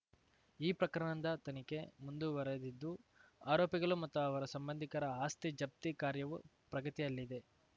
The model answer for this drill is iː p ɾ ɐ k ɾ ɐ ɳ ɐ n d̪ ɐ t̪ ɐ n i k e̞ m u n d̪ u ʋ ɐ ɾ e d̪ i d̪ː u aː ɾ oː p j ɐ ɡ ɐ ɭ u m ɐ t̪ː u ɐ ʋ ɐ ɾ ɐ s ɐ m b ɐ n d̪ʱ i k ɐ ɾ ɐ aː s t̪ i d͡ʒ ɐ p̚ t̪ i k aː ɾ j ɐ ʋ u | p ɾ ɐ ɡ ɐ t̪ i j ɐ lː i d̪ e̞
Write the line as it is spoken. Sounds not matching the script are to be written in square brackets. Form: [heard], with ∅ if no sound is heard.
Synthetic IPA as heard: iː p ɾ ɐ k ɾ ɐ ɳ ɐ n d̪ ɐ t̪ ɐ n i k e̞ m u n d̪ u ʋ ɐ ɾ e d̪ i d̪ː u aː ɾ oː p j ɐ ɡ ɐ ɭ u m ɐ t̪ː u ɐ ʋ ɐ ɾ ɐ s ɐ m b ɐ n d̪ʱ i k ɐ ɾ ɐ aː s t̪ i d͡ʒ ɐ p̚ t̪ i k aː ɾ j ɐ ʋ u | p ɾ ɐ ɡ ɐ t̪ i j ɐ lː i d̪ e̞

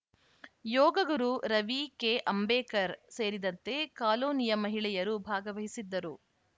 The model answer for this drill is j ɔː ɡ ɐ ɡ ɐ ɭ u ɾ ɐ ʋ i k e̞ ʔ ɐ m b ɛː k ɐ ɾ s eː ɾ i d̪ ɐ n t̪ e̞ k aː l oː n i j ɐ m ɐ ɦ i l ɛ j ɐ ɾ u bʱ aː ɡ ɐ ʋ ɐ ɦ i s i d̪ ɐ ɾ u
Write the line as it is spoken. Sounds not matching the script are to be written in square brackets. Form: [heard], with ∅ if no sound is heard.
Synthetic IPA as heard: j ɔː ɡ ɐ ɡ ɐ [ɾ] u ɾ ɐ ʋ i k e̞ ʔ ɐ m b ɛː k ɐ ɾ s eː ɾ i d̪ ɐ n t̪ e̞ k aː l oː n i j ɐ m ɐ ɦ i [ɭ] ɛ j ɐ ɾ u bʱ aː ɡ ɐ ʋ ɐ ɦ i s i [d̪ː] ɐ ɾ u

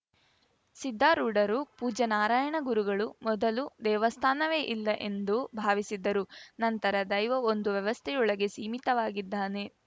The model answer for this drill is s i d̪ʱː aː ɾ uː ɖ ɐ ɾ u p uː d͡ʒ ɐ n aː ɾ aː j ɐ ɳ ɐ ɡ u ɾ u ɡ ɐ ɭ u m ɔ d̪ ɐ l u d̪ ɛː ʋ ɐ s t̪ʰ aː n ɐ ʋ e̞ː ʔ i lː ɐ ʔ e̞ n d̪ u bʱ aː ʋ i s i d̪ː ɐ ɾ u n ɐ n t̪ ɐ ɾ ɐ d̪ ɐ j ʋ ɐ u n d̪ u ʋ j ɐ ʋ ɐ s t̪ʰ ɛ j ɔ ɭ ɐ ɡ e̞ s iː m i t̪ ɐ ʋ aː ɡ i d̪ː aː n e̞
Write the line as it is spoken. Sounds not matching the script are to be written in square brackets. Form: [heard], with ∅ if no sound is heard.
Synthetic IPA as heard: s i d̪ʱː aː ɾ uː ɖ ɐ ɾ u p uː d͡ʒ ɐ n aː ɾ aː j ɐ ɳ ɐ ɡ u ɾ u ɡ ɐ ɭ u m ɔ d̪ ɐ l u d̪ ɛː ʋ ɐ s t̪ʰ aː n ɐ ʋ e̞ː ʔ i lː ɐ ʔ e̞ n d̪ u bʱ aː ʋ i s i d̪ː ɐ ɾ u n ɐ n t̪ ɐ ɾ ɐ d̪ ɐ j ʋ ɐ [o] n d̪ u ʋ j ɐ ʋ ɐ s t̪ʰ ɛ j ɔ ɭ ɐ ɡ e̞ s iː m i t̪ ɐ ʋ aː ɡ i d̪ː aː n e̞

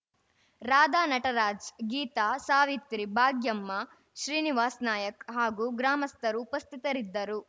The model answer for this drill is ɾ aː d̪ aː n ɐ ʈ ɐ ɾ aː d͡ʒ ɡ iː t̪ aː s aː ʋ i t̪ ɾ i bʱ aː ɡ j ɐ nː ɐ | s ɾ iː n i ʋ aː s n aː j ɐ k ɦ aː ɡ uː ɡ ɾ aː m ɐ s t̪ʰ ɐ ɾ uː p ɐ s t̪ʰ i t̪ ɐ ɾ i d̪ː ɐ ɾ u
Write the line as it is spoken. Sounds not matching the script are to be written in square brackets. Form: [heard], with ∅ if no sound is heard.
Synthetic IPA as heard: ɾ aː d̪ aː n ɐ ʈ ɐ ɾ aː d͡ʒ ɡ iː t̪ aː s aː ʋ i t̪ ɾ i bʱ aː ɡ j ɐ [mː] ɐ | [ʃ] ɾ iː n i ʋ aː s n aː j ɐ k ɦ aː ɡ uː ɡ ɾ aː m ɐ s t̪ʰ ɐ ɾ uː p ɐ s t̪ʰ i t̪ ɐ ɾ i d̪ː ɐ ɾ u

